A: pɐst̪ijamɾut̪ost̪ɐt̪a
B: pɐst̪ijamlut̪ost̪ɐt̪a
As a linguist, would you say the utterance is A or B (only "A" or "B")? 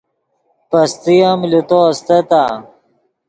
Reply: B